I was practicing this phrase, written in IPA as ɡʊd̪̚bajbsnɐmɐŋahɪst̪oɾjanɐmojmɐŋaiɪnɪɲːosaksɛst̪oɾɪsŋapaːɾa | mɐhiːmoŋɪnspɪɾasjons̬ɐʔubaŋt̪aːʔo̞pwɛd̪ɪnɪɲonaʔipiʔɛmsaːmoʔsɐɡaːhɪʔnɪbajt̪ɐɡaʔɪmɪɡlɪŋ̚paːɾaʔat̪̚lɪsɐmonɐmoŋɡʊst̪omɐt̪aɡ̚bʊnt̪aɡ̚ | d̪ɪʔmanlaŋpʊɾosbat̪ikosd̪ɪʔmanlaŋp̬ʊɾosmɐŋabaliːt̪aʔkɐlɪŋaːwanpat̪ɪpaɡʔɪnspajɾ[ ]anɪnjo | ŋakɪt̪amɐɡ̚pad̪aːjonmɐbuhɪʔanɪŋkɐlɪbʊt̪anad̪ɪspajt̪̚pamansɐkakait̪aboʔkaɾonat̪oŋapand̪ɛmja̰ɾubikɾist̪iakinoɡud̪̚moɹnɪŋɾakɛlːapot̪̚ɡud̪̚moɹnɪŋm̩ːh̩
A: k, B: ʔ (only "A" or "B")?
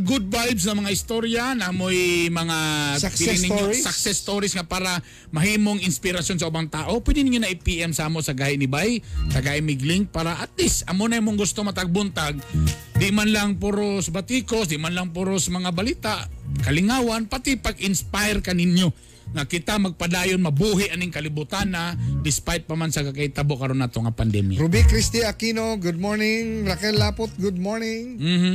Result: A